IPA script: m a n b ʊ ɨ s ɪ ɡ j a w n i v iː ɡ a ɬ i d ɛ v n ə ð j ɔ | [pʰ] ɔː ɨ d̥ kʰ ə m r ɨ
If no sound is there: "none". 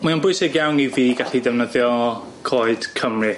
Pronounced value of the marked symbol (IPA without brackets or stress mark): kʰ